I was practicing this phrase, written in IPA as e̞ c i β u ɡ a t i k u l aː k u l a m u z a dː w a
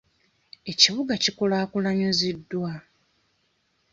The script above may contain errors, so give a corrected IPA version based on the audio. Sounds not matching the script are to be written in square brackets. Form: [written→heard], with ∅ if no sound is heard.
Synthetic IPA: e̞ c i β u ɡ a [t→c] i k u l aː k u l a [m→ɲ] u z [a→i] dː w a